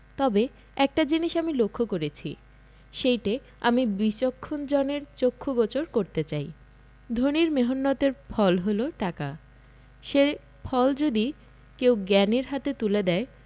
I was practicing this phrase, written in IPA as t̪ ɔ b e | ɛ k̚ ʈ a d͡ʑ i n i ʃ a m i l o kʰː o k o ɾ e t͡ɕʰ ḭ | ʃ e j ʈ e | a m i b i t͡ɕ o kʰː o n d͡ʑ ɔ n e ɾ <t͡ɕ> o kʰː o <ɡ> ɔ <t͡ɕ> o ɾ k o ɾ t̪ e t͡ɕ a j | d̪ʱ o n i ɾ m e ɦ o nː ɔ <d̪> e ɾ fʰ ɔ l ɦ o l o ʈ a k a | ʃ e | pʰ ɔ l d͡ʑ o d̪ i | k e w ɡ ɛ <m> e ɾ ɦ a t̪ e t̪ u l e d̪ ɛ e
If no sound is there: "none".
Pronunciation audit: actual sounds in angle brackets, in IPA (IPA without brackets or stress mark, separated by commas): t͡ɕ, ɡ, t͡ɕ, t̪, n